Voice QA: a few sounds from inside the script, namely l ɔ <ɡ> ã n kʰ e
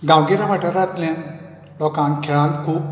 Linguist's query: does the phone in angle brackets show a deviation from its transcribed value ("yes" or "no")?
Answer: yes